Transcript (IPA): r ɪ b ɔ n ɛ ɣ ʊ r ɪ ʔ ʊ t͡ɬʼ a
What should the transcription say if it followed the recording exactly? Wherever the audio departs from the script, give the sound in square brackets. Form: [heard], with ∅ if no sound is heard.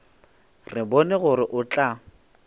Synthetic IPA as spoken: r ɪ b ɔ n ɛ ɣ ʊ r ɪ ʔ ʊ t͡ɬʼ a